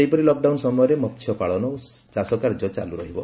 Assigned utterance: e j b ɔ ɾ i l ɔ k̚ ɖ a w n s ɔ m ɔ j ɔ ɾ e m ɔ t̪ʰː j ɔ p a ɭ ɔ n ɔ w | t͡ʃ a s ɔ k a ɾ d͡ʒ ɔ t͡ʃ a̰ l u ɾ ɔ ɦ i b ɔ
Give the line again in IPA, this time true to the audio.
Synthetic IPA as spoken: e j p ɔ ɾ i l ɔ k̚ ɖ a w n s ɔ m ɔ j ɔ ɾ e m ɔ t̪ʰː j ɔ p a ɭ ɔ n ɔ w | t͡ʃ a s ɔ k a ɾ d͡ʒ ɔ t͡ʃ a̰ l u ɾ ɔ ɦ i b ɔ